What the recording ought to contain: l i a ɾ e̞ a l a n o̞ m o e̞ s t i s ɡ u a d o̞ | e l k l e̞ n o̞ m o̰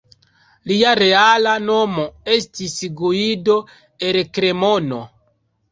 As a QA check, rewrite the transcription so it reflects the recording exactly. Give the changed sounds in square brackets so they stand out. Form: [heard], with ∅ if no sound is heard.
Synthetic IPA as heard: l i a ɾ e̞ a l a n o̞ m o e̞ s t i s ɡ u [i] d o̞ | e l k [ɾ] e̞ [m] o̞ [n] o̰